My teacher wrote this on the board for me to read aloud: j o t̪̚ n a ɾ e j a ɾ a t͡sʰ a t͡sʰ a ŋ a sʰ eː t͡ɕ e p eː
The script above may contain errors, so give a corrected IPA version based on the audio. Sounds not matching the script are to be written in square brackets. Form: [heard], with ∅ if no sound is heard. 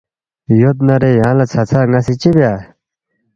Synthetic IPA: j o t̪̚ n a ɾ e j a [l] a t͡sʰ a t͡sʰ a ŋ a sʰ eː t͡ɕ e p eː